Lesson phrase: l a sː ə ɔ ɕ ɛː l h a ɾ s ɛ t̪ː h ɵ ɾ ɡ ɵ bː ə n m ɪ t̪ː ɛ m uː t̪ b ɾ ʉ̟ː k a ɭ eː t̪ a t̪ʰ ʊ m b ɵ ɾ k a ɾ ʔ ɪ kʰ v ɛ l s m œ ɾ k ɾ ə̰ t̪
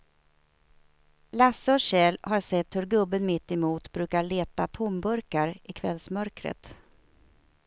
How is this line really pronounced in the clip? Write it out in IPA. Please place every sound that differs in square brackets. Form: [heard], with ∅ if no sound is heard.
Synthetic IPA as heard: l a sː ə ɔ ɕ ɛː l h a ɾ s ɛ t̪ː h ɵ ɾ ɡ ɵ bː ə n m ɪ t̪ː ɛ m uː t̪ b ɾ ʉ̟ː k a ɭ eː t̪ a t̪ʰ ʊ m b ɵ ɾ k a ɾ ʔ ɪ kʰ v ɛ l s m œ ɾ k ɾ ə̰ t̪